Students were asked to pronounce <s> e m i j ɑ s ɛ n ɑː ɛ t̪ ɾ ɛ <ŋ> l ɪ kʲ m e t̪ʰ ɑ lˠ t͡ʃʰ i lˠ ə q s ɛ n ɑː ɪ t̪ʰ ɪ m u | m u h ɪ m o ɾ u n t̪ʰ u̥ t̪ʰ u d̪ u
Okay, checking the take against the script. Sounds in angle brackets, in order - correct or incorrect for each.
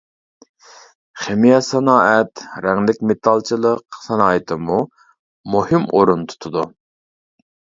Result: incorrect, correct

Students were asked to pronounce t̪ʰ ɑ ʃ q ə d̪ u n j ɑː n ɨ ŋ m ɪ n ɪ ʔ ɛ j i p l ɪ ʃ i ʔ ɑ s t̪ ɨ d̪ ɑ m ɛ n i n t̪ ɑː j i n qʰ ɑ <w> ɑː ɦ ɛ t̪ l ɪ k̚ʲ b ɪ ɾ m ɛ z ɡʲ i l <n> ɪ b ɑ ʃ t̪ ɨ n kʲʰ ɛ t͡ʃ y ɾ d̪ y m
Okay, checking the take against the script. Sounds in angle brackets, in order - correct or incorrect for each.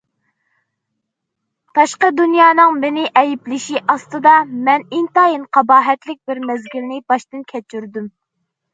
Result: incorrect, correct

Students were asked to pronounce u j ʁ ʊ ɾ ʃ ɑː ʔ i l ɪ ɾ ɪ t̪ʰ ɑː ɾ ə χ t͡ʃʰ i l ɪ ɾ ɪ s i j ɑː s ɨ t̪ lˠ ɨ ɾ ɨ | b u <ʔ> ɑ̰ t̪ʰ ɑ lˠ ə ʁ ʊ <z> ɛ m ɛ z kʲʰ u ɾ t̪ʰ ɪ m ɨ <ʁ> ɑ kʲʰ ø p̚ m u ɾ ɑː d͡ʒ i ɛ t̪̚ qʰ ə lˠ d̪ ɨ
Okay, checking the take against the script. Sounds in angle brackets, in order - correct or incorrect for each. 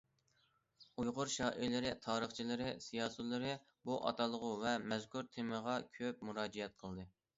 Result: correct, incorrect, correct

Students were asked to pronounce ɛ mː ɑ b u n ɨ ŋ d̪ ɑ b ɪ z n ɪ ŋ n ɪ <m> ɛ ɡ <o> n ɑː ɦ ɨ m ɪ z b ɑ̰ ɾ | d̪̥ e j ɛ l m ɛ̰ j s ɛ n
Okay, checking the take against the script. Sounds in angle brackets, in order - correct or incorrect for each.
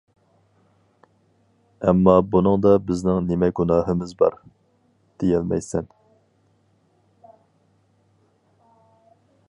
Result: correct, incorrect

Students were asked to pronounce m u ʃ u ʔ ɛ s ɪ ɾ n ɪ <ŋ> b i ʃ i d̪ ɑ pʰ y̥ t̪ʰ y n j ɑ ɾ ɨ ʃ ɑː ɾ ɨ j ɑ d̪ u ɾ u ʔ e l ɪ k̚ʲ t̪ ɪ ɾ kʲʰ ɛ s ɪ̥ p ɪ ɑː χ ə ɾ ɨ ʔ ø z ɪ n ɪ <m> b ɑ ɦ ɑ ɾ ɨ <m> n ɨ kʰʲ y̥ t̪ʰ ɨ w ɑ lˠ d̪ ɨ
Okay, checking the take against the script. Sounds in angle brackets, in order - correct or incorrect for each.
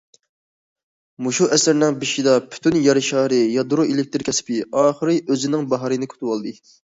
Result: correct, incorrect, incorrect

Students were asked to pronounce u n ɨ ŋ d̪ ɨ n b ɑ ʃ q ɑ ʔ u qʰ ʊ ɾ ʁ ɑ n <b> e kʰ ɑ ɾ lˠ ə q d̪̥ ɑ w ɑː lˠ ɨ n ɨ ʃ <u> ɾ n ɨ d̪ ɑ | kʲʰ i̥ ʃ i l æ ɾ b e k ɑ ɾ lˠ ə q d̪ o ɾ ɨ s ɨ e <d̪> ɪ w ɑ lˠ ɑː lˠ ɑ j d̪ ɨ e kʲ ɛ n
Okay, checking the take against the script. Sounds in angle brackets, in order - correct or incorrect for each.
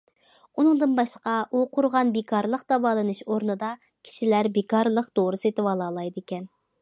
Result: correct, incorrect, incorrect

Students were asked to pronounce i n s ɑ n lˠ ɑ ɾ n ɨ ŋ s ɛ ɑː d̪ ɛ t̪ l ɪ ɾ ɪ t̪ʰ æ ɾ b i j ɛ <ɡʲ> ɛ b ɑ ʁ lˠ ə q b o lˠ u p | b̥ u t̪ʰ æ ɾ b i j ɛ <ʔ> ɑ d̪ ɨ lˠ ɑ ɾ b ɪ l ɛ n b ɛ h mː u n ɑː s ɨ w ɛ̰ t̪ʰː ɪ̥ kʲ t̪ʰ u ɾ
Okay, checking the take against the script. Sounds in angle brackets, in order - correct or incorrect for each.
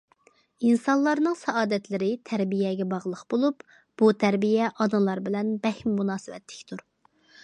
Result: correct, correct

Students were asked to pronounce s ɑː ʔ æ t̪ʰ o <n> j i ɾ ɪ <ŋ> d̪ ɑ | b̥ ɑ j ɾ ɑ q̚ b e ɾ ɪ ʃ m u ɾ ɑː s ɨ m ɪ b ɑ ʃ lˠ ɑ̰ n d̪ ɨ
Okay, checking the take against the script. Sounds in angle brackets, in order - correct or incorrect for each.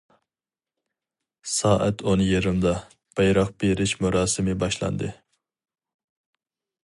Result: correct, incorrect

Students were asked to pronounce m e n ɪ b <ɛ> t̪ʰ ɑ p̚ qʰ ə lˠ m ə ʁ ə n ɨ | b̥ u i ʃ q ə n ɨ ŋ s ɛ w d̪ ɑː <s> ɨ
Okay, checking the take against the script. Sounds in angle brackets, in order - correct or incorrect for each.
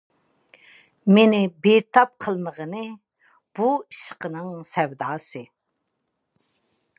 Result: incorrect, correct

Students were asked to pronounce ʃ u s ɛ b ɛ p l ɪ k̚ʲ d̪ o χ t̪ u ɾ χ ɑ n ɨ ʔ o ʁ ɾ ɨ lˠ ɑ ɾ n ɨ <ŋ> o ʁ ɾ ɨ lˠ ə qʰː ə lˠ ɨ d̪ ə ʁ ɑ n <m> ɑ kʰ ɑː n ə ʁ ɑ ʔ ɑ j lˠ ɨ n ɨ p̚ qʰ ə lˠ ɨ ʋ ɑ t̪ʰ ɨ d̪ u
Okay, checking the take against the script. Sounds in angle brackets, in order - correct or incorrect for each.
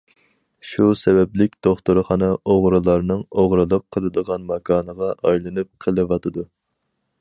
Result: correct, correct

